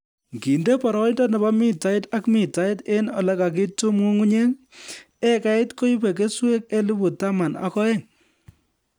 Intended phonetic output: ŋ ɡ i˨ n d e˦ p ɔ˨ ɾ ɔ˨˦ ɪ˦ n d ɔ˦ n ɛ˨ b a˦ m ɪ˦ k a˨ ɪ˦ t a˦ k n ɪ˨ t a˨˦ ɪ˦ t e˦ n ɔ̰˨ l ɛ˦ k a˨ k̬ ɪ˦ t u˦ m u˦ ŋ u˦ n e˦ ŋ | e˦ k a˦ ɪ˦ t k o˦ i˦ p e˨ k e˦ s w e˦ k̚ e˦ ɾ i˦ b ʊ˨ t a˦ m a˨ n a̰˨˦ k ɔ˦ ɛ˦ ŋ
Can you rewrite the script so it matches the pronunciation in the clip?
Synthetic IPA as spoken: ŋ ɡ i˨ n d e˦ p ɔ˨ ɾ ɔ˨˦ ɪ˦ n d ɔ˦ n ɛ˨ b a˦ m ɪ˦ t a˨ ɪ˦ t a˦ k m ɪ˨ t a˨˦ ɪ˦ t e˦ n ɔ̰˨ l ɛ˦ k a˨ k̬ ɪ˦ t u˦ m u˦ ŋ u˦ ɲ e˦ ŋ | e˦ k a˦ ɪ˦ t k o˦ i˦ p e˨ k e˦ s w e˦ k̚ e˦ l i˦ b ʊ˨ t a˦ m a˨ n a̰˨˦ k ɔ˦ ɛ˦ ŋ